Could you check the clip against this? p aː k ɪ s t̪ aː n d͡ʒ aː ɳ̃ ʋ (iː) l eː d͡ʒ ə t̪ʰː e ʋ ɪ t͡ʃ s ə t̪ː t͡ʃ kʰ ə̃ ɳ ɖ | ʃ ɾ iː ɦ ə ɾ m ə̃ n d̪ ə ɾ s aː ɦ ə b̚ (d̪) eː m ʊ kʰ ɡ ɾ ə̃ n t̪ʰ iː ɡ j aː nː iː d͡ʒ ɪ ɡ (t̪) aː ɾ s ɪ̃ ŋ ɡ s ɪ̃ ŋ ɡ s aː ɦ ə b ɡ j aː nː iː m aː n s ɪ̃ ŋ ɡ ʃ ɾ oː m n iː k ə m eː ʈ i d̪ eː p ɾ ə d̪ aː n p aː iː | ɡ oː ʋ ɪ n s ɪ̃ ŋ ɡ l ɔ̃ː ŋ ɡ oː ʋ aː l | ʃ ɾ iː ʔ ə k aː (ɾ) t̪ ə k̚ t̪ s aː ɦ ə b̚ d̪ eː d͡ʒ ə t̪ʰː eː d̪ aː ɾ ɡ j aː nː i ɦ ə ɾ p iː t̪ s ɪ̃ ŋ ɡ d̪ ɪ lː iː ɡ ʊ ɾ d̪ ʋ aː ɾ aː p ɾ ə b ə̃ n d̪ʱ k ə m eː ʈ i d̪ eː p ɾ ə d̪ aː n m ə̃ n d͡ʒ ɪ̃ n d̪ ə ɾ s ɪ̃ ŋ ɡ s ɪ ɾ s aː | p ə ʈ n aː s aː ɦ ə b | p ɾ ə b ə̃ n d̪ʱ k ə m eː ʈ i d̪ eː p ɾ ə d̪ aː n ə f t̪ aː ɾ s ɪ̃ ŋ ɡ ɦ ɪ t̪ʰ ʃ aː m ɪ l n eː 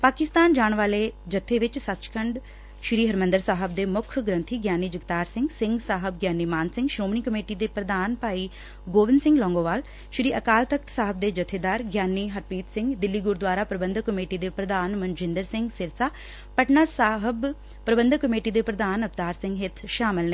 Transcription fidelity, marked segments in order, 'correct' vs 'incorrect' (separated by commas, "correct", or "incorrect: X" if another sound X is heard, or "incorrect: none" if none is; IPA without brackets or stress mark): incorrect: aː, correct, correct, incorrect: l